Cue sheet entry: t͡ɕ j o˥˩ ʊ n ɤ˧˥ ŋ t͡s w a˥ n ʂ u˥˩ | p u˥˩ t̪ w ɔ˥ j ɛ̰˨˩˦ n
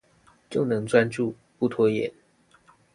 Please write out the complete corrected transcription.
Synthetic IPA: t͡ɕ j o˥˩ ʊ n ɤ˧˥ ŋ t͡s w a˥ n ʈ͡ʂ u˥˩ | p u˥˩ t̪ʰ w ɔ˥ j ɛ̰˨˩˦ n